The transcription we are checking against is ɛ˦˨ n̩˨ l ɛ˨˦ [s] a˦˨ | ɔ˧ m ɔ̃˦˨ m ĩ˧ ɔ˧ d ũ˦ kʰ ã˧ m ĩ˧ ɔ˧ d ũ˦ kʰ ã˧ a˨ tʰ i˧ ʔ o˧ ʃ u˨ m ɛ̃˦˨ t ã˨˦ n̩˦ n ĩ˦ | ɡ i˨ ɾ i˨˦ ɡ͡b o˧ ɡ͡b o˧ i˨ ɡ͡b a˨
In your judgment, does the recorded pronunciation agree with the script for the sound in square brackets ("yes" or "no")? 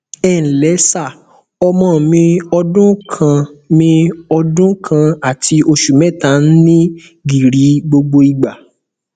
yes